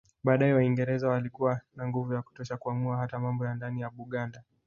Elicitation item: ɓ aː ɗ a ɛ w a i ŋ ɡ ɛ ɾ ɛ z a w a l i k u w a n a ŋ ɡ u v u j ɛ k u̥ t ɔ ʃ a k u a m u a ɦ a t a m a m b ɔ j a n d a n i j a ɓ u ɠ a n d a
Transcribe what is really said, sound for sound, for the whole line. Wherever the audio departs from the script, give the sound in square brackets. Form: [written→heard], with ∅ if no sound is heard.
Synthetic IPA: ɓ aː ɗ a ɛ w a i ŋ ɡ ɛ ɾ ɛ z a w a l i k u w a n a ŋ ɡ u v u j [ɛ→a] k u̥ t ɔ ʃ a k u a m u a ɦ a t a m a m b ɔ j a n d a n i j a ɓ u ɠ a n d a

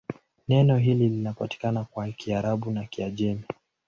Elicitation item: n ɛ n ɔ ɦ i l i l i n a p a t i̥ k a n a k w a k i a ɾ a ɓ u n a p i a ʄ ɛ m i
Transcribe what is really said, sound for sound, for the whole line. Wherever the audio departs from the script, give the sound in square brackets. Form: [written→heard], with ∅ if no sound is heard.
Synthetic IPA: n ɛ n ɔ ɦ i l i l i n a p a t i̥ k a n a k w a k i a ɾ a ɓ u n a [p→k] i a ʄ ɛ m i

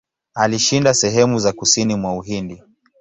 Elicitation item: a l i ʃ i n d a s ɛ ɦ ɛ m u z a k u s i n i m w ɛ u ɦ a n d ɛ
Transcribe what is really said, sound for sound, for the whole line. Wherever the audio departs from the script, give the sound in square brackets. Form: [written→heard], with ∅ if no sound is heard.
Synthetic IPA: a l i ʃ i n d a s ɛ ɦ ɛ m u z a k u s i n i m w [ɛ→a] u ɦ [a→i] n d [ɛ→i]

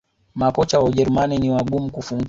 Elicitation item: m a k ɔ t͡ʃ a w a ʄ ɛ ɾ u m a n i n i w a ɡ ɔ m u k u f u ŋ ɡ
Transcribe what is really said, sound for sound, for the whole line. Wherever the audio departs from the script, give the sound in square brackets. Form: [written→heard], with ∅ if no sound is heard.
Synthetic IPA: m a k ɔ t͡ʃ a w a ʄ ɛ ɾ u m a n i n i w a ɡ [ɔ→u] m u k u f u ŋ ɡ

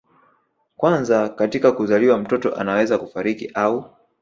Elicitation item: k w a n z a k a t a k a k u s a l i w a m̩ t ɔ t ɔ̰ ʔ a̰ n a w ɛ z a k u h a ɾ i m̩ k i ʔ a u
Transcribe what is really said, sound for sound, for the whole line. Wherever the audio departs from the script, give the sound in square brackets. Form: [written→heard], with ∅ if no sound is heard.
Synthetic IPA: k w a n z a k a t [a→i] k a k u [s→z] a l i w a m̩ t ɔ t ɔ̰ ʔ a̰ n a w ɛ z a k u [h→f] a ɾ i [m̩→∅] k i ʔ a u

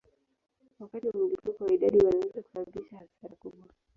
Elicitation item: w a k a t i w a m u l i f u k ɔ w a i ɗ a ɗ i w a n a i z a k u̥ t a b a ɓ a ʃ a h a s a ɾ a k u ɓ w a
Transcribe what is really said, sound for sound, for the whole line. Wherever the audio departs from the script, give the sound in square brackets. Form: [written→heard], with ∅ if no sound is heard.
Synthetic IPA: w a k a t i w a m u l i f u k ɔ w a i ɗ a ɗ i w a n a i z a k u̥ [t→s] a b a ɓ [a→i] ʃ a h a s a ɾ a k u ɓ w a

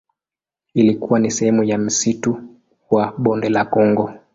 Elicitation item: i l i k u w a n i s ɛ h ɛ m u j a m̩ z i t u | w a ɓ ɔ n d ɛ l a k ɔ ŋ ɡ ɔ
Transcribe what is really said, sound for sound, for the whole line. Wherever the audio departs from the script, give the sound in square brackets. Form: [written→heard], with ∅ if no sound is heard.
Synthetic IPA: i l i k u w a n i s ɛ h ɛ m u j a m̩ [z→s] i t u | w a ɓ ɔ n d ɛ l a k ɔ ŋ ɡ ɔ

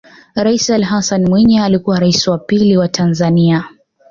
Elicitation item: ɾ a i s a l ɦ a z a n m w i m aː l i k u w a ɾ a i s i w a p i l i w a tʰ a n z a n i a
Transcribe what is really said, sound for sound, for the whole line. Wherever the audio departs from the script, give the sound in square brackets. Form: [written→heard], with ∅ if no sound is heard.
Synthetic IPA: ɾ a i s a l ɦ a [z→s] a n m w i [m→ɲ] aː l i k u w a ɾ a i s i w a p i l i w a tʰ a n z a n i a

